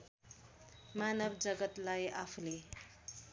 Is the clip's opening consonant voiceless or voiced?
voiced